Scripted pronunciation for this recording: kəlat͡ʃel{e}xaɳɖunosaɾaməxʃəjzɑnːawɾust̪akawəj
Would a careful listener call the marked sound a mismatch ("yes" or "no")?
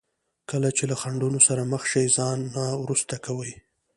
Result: yes